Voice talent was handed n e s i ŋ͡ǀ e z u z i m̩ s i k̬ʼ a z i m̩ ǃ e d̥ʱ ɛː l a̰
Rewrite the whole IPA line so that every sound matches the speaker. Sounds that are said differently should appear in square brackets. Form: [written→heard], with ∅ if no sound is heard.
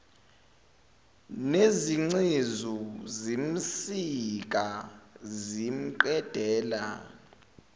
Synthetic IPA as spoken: n e [s→z] i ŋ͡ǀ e z u z i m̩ s i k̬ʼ a z i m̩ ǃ [e→ɛ] d̥ʱ ɛː l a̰